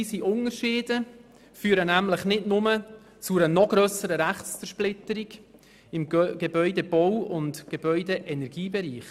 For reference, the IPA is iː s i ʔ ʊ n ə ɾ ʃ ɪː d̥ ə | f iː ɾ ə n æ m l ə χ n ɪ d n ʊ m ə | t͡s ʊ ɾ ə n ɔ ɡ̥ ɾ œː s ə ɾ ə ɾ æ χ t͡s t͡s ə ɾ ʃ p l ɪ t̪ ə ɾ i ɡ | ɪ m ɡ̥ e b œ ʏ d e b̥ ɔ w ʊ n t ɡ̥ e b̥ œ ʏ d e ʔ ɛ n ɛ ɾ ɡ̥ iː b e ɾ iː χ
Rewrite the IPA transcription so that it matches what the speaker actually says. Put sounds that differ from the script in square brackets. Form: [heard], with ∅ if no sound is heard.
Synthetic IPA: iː s i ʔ ʊ n ə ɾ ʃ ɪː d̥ ə | f [yː] ɾ ə n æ m l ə χ n ɪ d n ʊ m ə | t͡s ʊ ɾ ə n ɔ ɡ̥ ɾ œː s ə ɾ ə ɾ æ χ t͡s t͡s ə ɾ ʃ p l ɪ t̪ ə ɾ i ɡ | ɪ m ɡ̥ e b œ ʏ d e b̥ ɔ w ʊ n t ɡ̥ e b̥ œ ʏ d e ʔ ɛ n ɛ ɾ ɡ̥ iː b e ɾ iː χ